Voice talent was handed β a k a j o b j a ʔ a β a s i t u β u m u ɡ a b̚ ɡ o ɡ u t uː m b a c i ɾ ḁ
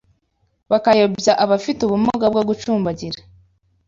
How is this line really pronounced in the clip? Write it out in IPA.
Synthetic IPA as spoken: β a k a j o b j a ʔ a β a f i t u β u m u ɡ a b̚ ɡ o ɡ u t͡ʃ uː m b a ɟ i ɾ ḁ